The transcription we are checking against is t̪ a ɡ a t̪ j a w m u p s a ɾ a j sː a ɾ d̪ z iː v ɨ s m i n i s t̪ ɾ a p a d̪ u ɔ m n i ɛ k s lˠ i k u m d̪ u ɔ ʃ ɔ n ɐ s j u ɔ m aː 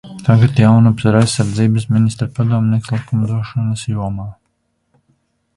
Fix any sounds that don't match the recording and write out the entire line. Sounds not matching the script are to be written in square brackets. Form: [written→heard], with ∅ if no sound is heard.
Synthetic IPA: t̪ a ɡ a t̪ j a w [m→n] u p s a ɾ a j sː a ɾ d̪ z iː [v→b] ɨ s m i n i s t̪ ɾ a p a d̪ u ɔ m n i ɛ k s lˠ i k u m d̪ u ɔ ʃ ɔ n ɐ s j u ɔ m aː